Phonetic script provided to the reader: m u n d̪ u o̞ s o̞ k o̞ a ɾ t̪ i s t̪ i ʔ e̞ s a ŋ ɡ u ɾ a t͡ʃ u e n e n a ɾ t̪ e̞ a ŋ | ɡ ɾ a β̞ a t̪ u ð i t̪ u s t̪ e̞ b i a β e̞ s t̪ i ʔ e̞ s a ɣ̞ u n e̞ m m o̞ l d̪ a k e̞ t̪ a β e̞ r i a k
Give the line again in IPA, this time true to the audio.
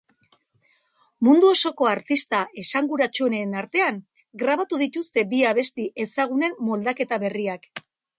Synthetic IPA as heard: m u n d̪ u o̞ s o̞ k o̞ a ɾ t̪ i s t̪ a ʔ e̞ s a ŋ ɡ u ɾ a t͡ʃ u e n e n a ɾ t̪ e̞ a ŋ | ɡ ɾ a β̞ a t̪ u ð i t̪ u s t̪ e̞ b i a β e̞ s t̪ i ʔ e̞ s a ɣ̞ u n e̞ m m o̞ l d̪ a k e̞ t̪ a β e̞ r i a k